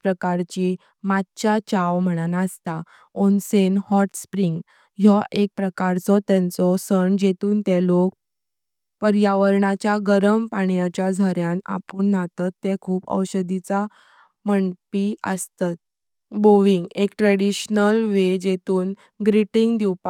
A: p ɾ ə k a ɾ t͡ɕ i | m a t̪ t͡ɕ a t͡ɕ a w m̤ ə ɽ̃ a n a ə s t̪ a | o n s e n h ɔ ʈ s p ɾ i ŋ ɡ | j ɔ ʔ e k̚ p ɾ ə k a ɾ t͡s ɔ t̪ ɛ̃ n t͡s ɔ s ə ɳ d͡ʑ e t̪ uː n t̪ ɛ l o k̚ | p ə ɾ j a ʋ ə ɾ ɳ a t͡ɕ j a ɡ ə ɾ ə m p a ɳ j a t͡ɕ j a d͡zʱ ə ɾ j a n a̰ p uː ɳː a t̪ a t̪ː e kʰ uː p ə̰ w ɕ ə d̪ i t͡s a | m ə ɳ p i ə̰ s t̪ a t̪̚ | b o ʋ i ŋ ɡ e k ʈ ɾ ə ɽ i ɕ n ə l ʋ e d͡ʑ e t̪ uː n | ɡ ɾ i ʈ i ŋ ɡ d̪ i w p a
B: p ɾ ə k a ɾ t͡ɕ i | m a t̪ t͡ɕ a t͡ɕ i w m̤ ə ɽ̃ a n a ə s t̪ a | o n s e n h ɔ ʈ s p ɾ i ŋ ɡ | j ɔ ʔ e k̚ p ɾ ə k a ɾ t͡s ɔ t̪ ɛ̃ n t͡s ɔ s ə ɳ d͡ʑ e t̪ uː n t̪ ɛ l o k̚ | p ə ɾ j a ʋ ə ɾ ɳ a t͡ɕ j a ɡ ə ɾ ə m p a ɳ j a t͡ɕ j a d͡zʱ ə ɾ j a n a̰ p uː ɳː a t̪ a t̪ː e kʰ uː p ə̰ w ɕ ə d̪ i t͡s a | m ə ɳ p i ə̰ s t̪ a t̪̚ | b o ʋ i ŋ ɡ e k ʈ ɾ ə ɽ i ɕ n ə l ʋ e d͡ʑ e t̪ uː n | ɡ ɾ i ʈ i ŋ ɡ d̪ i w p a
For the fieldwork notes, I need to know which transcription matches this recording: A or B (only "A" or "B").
A